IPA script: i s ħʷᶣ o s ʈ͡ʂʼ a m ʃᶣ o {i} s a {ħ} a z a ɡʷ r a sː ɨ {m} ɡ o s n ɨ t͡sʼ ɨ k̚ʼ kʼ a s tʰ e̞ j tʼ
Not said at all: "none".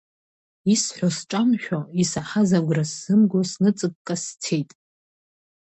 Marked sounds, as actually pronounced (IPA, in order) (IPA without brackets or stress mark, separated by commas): i, ħ, m